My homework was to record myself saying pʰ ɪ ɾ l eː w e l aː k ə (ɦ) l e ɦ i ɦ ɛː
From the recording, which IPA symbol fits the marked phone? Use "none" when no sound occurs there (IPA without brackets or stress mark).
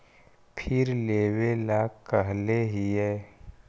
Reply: ɦ